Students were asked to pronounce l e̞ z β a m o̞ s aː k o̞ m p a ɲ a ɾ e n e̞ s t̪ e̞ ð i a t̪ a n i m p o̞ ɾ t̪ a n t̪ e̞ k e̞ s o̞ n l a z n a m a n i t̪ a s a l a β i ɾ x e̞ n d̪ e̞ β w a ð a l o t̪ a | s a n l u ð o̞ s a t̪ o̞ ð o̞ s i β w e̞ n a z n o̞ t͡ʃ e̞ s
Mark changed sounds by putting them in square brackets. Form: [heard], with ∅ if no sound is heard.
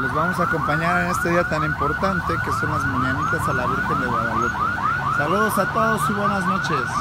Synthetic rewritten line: l e̞ z β a m o̞ s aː k o̞ m p a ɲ a ɾ e n e̞ s t̪ e̞ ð i a t̪ a n i m p o̞ ɾ t̪ a n t̪ e̞ k e̞ s o̞ n l a z [m] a [ɲ] a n i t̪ a s a l a β i ɾ x e̞ n d̪ e̞ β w a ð a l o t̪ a | s a [∅] l u ð o̞ s a t̪ o̞ ð o̞ s i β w e̞ n a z n o̞ t͡ʃ e̞ s